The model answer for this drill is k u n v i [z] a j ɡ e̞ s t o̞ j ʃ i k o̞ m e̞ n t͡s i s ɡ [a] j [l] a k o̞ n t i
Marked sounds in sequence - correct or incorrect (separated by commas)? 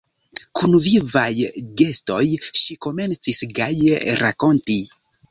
incorrect, correct, incorrect